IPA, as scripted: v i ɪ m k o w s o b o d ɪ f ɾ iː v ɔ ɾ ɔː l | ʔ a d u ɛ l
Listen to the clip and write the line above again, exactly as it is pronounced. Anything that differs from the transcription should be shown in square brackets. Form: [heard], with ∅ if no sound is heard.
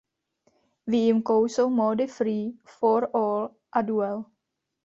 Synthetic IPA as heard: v i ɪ m k o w s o [m] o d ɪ f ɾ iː [f] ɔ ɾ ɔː l | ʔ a d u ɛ l